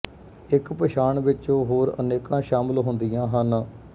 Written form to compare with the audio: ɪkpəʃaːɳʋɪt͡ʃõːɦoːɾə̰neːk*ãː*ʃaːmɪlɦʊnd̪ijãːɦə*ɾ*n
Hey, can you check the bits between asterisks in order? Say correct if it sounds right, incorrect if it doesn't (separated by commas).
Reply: correct, incorrect